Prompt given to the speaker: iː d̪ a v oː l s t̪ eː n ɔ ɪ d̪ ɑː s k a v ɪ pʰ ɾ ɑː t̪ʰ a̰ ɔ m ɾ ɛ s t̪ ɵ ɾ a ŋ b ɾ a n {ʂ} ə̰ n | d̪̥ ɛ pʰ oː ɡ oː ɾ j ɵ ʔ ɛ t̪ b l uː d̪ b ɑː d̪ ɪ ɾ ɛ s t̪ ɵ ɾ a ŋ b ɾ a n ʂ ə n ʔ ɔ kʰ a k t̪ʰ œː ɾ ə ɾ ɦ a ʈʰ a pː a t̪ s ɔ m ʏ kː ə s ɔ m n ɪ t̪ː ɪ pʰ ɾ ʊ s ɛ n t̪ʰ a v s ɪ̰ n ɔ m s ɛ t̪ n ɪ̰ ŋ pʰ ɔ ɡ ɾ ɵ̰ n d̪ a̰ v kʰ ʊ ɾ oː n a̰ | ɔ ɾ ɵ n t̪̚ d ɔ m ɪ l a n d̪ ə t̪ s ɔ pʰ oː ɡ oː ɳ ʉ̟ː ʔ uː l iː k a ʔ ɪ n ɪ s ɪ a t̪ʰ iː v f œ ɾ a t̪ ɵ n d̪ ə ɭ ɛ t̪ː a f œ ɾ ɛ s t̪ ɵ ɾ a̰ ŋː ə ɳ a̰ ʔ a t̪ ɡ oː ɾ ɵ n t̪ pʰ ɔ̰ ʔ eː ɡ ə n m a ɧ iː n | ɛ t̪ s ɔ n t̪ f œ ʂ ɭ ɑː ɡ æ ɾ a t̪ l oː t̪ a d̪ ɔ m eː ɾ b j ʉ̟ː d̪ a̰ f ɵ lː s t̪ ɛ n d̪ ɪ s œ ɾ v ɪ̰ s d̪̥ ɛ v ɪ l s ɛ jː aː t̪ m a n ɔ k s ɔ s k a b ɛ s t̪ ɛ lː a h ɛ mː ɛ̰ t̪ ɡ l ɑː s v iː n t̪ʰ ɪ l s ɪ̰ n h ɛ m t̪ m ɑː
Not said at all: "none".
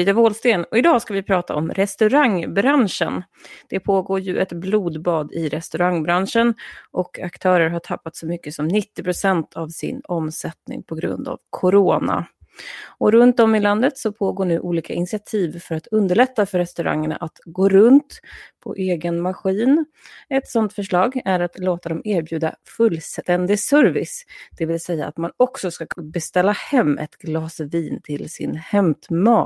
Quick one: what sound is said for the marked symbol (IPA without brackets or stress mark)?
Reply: ʂ